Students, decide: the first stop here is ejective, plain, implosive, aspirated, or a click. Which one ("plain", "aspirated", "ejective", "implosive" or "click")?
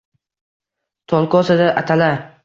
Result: aspirated